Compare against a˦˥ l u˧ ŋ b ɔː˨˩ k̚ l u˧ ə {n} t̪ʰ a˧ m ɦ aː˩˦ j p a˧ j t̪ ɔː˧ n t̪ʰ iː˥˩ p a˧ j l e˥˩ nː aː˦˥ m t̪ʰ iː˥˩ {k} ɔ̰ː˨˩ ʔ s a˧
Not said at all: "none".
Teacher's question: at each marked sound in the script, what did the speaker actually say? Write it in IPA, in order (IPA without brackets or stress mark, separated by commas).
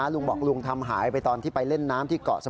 ŋ, k